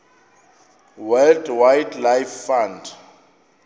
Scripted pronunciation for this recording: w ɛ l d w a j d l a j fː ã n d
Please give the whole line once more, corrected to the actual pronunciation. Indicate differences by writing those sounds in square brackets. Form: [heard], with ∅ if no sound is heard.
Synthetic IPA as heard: w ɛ l d w a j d l a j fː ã n d